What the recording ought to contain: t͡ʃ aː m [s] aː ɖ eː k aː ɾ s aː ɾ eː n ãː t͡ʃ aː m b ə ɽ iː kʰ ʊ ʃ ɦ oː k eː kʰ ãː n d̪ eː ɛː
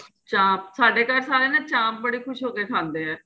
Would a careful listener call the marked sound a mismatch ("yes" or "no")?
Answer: no